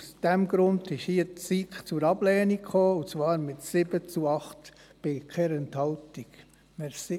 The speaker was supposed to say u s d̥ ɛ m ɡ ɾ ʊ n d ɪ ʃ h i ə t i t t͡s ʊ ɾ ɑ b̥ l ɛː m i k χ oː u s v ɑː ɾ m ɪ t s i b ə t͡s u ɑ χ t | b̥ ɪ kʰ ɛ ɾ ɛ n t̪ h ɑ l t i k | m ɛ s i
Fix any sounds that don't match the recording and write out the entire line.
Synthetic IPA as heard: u s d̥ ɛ m ɡ ɾ ʊ n d ɪ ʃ h i ə t͡s i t t͡s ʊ ɾ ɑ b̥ l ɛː n i k χ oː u t͡s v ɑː ɾ m ɪ t s ɪ b ə t͡s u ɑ χ t | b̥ ɪ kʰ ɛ ɾ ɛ n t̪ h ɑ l t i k | m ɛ s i